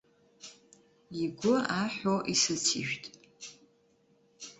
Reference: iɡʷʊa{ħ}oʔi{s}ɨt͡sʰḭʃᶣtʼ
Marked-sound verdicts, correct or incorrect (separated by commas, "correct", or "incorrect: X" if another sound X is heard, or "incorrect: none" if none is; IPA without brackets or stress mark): correct, correct